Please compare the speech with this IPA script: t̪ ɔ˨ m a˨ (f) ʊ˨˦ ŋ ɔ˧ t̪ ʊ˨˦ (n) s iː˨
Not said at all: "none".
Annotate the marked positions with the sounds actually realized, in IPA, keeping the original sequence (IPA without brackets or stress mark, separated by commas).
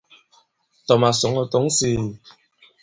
s, ŋ